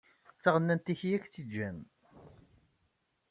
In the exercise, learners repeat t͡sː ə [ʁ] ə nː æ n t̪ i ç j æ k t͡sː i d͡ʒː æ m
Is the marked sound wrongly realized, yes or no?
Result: no